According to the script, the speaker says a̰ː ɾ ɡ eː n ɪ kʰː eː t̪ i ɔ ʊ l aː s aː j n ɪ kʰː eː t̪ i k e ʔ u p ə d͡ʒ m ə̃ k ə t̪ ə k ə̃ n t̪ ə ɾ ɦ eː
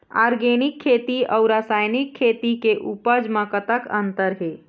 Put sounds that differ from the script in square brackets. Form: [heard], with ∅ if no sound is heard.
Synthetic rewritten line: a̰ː ɾ ɡ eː n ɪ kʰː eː t̪ i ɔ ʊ [ɾ] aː s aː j n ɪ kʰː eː t̪ i k e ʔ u p ə d͡ʒ m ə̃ k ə t̪ ə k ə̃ n t̪ ə ɾ ɦ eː